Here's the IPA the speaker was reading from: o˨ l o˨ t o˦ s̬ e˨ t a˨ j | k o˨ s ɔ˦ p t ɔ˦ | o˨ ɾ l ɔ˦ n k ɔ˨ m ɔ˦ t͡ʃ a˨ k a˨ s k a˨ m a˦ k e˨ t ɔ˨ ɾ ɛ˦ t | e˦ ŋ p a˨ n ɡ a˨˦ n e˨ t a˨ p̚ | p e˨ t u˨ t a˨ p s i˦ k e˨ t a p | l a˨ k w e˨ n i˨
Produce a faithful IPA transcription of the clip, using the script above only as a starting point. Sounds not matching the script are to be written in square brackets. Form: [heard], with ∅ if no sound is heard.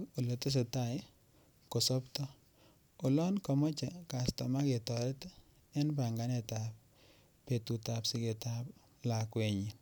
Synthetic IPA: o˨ l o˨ t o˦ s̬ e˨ t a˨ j | k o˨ s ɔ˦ p t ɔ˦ | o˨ [∅] l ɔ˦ n k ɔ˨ m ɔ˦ t͡ʃ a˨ k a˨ s [t] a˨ m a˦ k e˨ t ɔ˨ ɾ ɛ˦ t | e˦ [n] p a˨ [ŋ] ɡ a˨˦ n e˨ t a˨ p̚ | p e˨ t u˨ t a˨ p s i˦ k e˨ t a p | l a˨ k w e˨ [ɲ] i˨